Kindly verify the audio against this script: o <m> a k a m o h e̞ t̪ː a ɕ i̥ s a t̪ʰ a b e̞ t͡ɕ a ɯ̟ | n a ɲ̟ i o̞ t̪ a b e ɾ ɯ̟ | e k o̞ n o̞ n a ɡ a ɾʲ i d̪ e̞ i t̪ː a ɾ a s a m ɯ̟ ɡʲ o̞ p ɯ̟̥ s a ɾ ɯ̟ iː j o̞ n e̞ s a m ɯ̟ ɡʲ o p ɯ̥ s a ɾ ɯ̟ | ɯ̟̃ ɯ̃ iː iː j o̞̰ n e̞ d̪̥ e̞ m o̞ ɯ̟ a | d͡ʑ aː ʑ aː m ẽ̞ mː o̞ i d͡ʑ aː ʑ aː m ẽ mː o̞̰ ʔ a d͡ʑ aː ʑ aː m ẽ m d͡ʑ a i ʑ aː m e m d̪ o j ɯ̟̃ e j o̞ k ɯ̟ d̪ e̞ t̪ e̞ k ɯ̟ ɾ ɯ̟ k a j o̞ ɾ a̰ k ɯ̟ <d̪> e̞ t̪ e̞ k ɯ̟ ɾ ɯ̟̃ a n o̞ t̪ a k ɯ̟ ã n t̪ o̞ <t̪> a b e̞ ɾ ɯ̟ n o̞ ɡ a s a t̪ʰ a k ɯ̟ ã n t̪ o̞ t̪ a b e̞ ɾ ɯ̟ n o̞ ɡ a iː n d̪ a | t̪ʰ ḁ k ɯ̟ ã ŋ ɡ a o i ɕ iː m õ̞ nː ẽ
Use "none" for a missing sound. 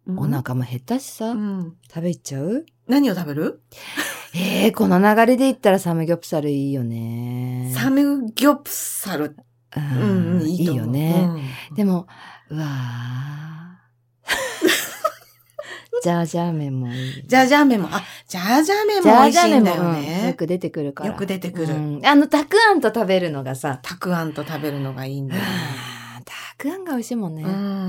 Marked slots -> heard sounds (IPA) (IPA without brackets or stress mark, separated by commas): n, d̪, t̪